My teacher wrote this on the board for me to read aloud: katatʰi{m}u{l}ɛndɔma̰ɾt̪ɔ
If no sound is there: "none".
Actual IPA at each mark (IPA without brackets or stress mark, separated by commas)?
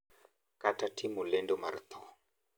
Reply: m, l